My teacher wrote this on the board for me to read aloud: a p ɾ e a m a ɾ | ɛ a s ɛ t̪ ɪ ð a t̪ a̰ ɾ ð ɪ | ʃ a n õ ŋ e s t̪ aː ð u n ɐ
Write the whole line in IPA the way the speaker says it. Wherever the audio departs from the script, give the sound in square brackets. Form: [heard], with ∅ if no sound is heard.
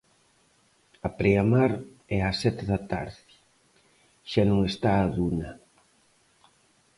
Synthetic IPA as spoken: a p ɾ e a m a ɾ | ɛ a s ɛ t̪ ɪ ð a t̪ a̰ ɾ ð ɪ | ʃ a n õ ŋ e s t̪ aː ð u n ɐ